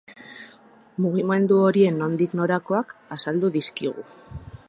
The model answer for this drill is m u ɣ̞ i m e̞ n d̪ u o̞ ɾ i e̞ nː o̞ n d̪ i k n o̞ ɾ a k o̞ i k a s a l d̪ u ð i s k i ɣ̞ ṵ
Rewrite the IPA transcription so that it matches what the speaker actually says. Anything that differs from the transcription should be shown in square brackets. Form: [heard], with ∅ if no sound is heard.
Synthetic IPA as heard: m u ɣ̞ i m e̞ n d̪ u o̞ ɾ i e̞ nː o̞ n d̪ i k n o̞ ɾ a k o̞ [a] k a s a l d̪ u ð i s k i ɣ̞ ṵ

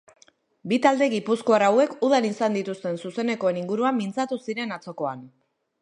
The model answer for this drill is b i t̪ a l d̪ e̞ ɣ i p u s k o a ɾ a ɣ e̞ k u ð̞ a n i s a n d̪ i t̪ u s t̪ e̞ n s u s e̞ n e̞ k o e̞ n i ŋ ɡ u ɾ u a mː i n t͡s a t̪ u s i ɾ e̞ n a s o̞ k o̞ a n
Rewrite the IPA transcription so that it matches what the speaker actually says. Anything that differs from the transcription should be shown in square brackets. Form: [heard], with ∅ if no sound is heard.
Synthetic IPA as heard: b i t̪ a l d̪ e̞ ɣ i p u s k o a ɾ a [w] e̞ k u ð̞ a n i s a n d̪ i t̪ u s t̪ e̞ n s u s e̞ n e̞ k o e̞ n i ŋ ɡ u ɾ u a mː i n t͡s a t̪ u s i ɾ e̞ n a [t͡s] o̞ k o̞ a n

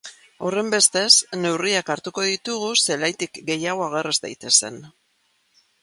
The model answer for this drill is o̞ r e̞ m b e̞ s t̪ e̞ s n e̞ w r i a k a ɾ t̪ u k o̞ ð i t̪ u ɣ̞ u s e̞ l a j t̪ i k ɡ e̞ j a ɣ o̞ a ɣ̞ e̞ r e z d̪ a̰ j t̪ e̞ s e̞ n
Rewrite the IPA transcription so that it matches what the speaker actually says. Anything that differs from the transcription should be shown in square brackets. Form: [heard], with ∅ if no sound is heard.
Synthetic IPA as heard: o̞ r e̞ m b e̞ s t̪ e̞ s n e̞ w r i a k a ɾ t̪ u k o̞ ð i t̪ u ɣ̞ u s e̞ l a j t̪ i k ɡ e̞ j a ɣ o̞ a ɣ̞ e̞ r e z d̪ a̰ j t̪ e̞ s e̞ n

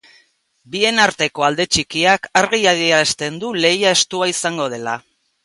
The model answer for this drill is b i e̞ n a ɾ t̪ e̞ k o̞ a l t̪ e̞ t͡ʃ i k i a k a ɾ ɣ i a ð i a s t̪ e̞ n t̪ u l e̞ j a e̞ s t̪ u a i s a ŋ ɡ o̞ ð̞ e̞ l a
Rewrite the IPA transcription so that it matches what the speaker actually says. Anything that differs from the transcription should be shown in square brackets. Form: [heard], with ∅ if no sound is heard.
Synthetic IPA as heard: b i e̞ n a ɾ t̪ e̞ k o̞ a l [d̪] e̞ t͡ʃ i k i a k a ɾ ɣ i a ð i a s t̪ e̞ n [d̪] u l e̞ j a e̞ s t̪ u a i s a ŋ ɡ o̞ ð̞ e̞ l a

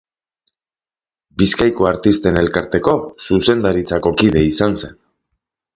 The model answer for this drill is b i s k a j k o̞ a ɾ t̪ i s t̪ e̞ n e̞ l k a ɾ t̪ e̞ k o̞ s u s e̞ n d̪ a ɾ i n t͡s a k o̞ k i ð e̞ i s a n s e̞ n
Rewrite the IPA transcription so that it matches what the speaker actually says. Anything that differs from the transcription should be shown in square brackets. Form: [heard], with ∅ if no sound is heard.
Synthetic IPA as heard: b i s k a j k o̞ a ɾ t̪ i s t̪ e̞ n e̞ l k a ɾ t̪ e̞ k o̞ s u s e̞ n d̪ a ɾ i [∅] t͡s a k o̞ k i ð e̞ i s a n s e̞ n

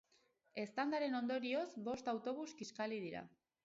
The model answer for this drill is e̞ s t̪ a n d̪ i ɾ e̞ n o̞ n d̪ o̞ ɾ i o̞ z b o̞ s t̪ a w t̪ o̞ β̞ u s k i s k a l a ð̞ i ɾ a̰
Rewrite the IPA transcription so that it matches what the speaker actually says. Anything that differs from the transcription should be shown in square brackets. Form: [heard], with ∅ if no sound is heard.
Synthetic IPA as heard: e̞ s t̪ a n d̪ [a] ɾ e̞ n o̞ n d̪ o̞ ɾ i o̞ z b o̞ s t̪ a w t̪ o̞ β̞ u s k i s k a l [i] ð̞ i ɾ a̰

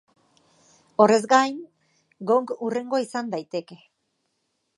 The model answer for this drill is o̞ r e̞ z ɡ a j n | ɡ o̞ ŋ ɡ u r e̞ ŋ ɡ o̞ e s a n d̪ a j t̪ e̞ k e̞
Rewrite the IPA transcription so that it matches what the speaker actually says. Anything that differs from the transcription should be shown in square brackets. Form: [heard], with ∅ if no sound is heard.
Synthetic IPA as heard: o̞ r e̞ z ɡ a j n | ɡ o̞ ŋ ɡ u r e̞ ŋ ɡ o̞ [i] s a n d̪ a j t̪ e̞ k e̞

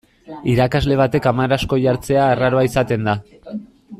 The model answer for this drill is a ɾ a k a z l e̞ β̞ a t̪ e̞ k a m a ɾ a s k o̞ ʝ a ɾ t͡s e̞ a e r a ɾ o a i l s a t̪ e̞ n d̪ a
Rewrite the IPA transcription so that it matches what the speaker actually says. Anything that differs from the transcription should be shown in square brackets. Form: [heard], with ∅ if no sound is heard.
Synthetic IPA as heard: [i] ɾ a k a z l e̞ β̞ a t̪ e̞ k a m a ɾ a s k o̞ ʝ a ɾ t͡s e̞ a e r a ɾ o a i [∅] s a t̪ e̞ n d̪ a

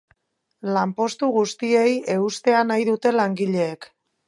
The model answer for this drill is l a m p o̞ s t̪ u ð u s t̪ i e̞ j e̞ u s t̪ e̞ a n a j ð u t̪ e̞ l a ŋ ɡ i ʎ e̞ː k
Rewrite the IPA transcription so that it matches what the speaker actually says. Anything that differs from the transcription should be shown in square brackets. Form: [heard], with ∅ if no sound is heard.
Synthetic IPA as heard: l a m p o̞ s t̪ u [ɣ] u s t̪ i e̞ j e̞ u s t̪ e̞ a n a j ð u t̪ e̞ l a ŋ ɡ i ʎ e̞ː k

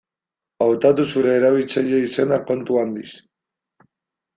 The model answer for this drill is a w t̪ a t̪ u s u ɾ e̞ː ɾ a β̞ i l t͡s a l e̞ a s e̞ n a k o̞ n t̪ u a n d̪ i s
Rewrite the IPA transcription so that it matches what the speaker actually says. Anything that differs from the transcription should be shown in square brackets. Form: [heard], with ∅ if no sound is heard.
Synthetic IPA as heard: a w t̪ a t̪ u s u ɾ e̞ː ɾ a β̞ i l t͡s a [ʎ] e̞ [i] s e̞ n a k o̞ n t̪ u a n d̪ i s

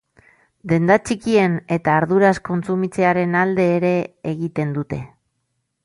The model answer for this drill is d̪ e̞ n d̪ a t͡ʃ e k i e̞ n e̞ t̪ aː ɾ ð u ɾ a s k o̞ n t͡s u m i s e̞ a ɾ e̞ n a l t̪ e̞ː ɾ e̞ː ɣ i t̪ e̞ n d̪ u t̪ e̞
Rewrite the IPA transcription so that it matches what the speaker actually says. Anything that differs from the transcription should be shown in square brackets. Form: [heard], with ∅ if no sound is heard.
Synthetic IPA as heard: d̪ e̞ n d̪ a t͡ʃ [i] k i e̞ n e̞ t̪ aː ɾ ð u ɾ a s k o̞ n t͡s u m i [t͡s] e̞ a ɾ e̞ n a l [d̪] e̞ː ɾ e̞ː ɣ i t̪ e̞ n d̪ u t̪ e̞

